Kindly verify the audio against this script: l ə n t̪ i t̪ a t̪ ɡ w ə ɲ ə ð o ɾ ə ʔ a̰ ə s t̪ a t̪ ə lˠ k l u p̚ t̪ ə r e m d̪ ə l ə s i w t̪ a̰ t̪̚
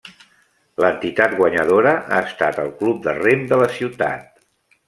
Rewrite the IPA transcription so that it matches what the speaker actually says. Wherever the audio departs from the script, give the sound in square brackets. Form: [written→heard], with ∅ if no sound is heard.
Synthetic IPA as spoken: l ə n t̪ i t̪ a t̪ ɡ w ə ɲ ə ð o ɾ ə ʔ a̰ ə s t̪ a t̪ ə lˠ k l u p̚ [t̪→d̪] ə r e m d̪ ə l ə s i w t̪ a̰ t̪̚